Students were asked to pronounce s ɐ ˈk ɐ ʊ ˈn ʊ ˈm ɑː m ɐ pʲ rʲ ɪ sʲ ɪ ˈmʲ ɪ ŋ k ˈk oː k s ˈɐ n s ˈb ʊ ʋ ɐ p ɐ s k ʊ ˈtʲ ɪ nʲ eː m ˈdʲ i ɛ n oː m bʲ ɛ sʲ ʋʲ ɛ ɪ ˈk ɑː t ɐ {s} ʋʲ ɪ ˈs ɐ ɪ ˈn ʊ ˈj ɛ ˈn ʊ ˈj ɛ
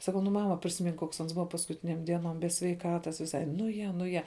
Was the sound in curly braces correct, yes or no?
yes